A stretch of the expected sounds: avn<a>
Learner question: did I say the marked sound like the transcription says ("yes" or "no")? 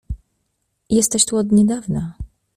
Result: yes